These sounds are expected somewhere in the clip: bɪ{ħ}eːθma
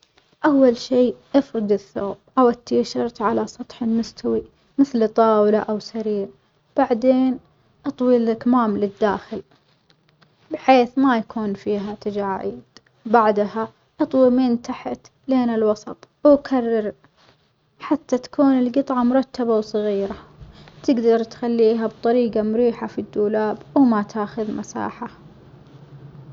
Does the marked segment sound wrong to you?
no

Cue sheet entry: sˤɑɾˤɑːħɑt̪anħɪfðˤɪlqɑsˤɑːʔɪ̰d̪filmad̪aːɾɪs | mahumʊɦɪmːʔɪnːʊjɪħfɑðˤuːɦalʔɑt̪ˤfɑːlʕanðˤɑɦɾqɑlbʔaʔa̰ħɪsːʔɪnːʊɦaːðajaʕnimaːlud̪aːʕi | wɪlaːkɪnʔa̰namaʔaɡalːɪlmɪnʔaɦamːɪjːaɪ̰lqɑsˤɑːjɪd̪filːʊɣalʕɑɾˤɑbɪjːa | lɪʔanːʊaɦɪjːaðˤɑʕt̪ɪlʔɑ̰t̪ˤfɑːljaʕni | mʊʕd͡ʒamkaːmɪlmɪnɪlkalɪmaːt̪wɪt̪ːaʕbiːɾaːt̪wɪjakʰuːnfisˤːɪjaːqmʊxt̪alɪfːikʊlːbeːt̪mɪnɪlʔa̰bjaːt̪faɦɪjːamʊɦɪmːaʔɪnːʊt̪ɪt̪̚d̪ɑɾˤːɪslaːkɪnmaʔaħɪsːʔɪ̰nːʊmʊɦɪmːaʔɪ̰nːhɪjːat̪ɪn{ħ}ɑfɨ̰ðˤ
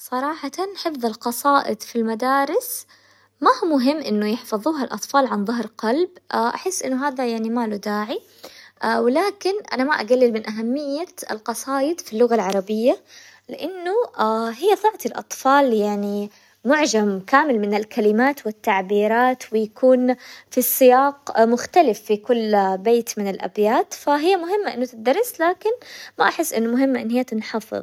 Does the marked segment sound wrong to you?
no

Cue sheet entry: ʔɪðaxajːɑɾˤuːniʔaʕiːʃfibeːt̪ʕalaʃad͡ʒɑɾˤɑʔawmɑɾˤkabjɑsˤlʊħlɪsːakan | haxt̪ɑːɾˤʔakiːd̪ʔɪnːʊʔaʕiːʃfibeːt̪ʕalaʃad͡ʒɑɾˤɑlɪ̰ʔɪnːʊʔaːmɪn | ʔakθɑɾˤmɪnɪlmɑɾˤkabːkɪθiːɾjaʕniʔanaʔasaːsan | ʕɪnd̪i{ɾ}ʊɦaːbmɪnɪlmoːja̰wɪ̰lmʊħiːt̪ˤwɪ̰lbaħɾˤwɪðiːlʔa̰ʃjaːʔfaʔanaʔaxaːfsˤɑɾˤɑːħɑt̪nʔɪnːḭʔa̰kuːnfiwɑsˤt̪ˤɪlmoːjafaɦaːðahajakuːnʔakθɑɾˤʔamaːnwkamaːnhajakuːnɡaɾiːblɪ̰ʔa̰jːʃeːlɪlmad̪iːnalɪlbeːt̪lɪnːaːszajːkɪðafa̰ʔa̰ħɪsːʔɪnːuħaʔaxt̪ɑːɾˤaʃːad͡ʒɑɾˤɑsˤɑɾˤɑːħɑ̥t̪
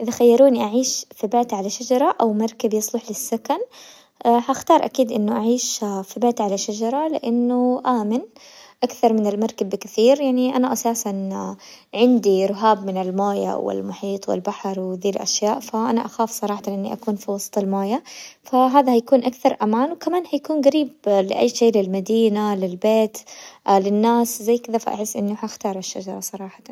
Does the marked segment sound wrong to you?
no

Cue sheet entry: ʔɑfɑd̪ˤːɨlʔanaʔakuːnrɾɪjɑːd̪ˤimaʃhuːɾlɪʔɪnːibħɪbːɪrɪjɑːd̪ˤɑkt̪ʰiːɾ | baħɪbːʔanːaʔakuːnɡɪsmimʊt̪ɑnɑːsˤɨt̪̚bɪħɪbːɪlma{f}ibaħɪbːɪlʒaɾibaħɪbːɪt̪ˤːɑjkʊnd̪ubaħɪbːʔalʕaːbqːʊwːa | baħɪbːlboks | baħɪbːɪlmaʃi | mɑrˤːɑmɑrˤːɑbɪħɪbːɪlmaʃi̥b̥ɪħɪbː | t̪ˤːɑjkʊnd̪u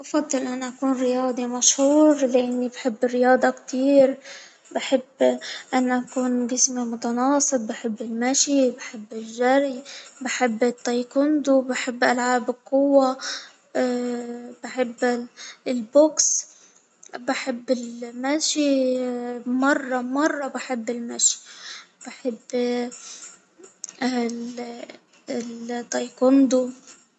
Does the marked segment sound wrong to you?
yes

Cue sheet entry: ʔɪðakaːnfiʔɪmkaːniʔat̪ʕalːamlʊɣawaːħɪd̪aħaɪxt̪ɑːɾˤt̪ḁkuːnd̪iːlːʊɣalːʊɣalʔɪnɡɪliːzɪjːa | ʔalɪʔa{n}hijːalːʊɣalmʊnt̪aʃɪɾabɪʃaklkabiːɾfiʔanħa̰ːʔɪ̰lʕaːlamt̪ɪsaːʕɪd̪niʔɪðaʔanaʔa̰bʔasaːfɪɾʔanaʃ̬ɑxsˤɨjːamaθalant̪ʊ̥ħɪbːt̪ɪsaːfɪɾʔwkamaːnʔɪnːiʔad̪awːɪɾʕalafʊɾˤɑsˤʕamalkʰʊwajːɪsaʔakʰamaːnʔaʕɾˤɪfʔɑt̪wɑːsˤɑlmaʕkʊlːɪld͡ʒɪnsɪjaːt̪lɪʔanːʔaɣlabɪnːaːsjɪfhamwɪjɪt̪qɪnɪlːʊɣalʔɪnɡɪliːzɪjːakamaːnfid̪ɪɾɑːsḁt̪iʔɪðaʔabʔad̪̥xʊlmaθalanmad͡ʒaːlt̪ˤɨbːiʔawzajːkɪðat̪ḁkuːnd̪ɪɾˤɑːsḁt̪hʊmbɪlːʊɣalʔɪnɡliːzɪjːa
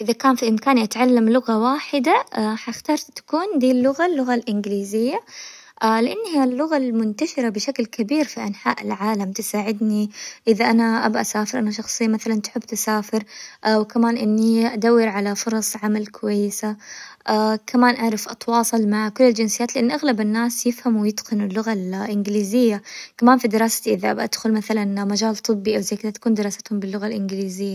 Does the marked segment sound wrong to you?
yes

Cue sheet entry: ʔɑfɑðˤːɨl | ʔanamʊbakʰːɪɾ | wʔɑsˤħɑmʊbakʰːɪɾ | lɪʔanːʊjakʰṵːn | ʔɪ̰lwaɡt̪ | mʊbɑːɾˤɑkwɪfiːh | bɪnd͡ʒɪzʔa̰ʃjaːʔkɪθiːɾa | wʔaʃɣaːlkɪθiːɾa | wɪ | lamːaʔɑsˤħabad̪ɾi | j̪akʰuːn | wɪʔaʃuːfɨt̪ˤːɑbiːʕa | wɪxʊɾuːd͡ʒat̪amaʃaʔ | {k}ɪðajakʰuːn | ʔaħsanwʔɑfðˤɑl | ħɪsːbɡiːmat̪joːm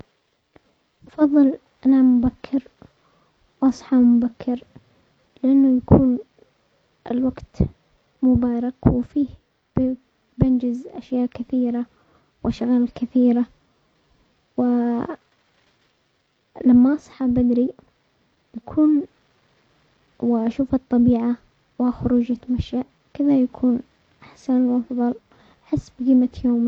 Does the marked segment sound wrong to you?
no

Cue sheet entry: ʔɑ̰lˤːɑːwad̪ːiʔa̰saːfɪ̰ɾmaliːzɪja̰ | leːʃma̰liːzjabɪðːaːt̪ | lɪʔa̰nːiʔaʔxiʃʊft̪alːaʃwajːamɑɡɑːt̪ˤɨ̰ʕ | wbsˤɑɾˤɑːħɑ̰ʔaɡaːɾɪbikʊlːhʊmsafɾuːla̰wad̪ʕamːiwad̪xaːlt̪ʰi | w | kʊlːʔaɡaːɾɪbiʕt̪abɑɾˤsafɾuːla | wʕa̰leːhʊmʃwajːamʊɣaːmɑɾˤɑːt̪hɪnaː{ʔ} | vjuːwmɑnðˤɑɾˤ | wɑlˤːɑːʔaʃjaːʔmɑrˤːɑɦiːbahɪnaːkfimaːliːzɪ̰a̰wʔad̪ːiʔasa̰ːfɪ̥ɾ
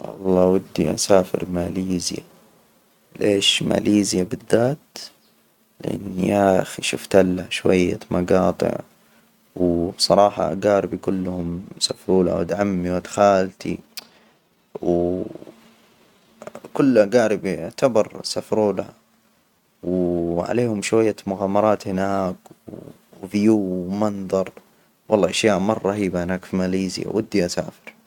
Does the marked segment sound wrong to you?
yes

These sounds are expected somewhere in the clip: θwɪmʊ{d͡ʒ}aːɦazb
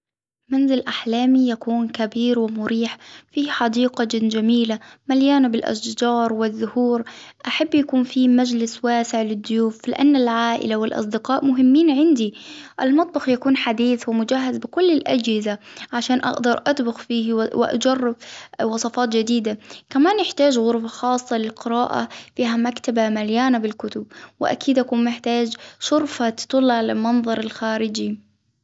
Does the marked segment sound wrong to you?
no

